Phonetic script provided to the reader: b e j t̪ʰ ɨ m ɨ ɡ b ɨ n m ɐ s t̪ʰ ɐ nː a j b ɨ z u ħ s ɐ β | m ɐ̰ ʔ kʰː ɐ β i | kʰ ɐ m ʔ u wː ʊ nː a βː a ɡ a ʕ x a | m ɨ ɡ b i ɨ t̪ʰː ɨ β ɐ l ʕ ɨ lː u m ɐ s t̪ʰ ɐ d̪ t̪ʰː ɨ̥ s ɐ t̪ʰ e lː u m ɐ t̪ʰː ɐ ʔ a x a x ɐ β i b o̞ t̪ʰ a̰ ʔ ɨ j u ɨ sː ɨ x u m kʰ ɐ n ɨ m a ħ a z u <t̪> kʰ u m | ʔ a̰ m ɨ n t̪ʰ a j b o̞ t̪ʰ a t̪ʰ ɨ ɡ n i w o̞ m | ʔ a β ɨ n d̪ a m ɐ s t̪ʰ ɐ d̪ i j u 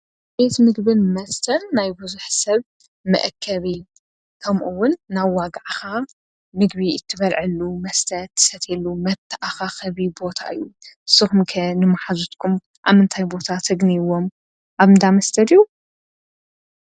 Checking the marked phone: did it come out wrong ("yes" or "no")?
no